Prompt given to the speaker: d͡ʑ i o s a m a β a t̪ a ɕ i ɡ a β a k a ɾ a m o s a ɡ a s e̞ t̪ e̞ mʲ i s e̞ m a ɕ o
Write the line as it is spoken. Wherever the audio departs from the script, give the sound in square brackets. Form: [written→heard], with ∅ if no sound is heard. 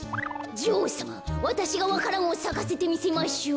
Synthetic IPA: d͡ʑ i o s a m a β a t̪ a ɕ i ɡ a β a k a ɾ a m o s a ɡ a s e̞ t̪ e̞ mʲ i s e̞ m a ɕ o